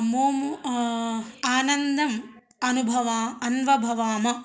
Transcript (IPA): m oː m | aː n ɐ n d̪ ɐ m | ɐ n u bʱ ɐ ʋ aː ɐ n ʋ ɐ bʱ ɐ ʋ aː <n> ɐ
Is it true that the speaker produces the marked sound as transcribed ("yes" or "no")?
no